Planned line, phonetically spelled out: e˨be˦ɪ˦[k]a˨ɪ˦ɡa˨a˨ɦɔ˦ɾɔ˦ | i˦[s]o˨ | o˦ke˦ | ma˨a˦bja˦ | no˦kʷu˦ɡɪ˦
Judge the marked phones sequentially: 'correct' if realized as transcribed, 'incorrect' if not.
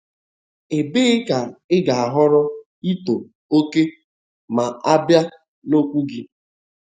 correct, incorrect

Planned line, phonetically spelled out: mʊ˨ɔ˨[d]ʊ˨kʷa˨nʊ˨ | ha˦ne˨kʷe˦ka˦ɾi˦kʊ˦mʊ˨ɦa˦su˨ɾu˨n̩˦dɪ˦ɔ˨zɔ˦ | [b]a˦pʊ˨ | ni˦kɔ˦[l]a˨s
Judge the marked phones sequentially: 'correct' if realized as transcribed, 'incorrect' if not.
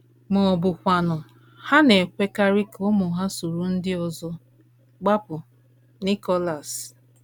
incorrect, incorrect, correct

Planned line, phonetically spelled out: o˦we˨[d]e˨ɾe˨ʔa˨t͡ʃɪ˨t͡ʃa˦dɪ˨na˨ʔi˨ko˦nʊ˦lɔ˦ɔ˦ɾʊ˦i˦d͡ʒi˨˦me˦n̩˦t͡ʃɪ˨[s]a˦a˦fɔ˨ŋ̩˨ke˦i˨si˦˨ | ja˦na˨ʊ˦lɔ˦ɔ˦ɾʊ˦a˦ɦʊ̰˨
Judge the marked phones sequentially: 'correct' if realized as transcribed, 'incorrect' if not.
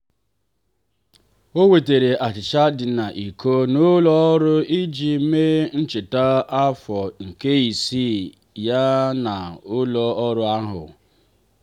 incorrect, incorrect

